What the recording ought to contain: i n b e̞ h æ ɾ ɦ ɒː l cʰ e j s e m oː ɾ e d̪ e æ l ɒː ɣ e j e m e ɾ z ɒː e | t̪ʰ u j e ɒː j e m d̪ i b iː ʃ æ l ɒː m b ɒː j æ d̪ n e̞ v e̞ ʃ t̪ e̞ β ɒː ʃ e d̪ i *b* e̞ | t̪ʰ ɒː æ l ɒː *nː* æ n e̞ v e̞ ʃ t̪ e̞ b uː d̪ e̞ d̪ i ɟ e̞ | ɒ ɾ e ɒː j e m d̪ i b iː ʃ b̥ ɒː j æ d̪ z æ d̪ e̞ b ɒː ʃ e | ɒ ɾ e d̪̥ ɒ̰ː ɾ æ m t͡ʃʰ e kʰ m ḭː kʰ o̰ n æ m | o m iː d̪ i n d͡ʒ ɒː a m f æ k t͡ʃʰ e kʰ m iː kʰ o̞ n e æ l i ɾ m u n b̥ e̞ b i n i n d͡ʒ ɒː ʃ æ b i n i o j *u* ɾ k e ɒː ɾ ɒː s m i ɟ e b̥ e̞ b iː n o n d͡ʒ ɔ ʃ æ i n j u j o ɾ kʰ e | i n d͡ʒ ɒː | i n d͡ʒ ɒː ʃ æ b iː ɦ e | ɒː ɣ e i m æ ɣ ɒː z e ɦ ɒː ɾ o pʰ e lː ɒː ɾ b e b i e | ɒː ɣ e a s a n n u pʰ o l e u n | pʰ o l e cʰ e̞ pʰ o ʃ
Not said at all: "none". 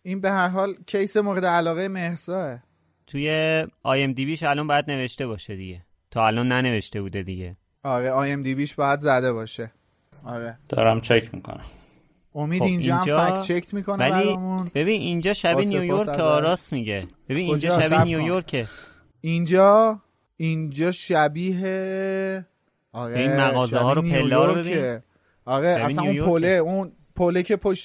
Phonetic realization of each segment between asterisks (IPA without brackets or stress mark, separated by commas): ɟ, nː, o